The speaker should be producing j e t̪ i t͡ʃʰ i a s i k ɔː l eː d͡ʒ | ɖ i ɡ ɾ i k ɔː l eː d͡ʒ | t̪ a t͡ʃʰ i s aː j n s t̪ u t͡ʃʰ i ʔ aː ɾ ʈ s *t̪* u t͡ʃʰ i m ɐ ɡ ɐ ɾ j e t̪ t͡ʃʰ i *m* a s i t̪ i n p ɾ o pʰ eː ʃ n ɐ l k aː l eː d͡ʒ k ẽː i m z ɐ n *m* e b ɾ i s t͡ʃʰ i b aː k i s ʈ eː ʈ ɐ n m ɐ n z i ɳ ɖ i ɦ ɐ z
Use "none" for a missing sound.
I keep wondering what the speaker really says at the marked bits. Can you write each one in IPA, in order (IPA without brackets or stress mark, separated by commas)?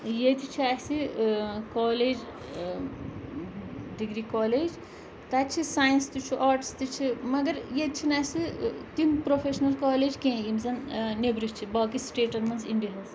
t̪, n, n